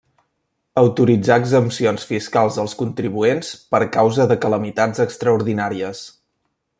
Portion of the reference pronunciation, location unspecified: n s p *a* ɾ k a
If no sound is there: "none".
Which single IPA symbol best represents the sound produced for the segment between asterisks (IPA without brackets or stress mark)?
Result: ə